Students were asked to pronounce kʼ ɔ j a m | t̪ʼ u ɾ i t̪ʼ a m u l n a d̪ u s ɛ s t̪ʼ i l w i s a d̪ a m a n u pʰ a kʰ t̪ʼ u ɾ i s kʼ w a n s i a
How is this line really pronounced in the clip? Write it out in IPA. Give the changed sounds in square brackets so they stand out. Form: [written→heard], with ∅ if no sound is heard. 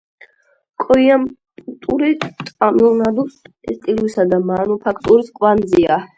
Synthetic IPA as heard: kʼ ɔ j a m | t̪ʼ u ɾ i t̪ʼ a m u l n a d̪ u s ɛ s t̪ʼ i l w i s a d̪ a m a n u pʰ a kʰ t̪ʼ u ɾ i s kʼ w a n [s→z] i a